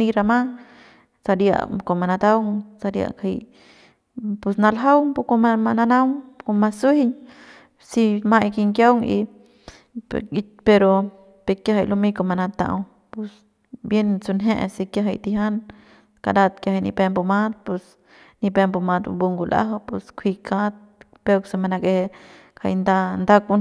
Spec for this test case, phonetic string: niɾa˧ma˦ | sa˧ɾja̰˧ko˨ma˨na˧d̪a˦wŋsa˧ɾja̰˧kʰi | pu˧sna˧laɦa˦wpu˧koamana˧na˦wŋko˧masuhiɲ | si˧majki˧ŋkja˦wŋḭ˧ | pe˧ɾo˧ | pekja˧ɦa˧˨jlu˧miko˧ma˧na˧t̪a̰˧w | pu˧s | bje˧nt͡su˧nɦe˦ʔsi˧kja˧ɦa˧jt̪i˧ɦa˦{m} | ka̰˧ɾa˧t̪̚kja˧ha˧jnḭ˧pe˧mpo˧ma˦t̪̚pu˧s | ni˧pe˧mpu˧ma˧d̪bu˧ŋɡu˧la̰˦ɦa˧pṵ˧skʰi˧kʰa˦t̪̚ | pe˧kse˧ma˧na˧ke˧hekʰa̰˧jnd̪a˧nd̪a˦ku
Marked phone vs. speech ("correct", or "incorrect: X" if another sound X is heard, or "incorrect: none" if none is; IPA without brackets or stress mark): incorrect: n